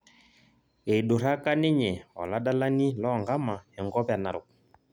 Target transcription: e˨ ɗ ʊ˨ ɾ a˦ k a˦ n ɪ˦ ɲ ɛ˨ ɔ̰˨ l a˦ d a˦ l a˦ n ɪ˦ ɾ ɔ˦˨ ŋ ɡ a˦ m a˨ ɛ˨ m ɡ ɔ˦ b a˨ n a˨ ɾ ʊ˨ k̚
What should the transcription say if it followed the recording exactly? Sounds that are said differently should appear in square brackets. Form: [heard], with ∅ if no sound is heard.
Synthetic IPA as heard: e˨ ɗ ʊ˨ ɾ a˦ k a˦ n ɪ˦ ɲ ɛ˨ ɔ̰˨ l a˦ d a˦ l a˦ n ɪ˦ [l] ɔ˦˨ ŋ ɡ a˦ m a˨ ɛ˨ [ŋ] ɡ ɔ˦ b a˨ n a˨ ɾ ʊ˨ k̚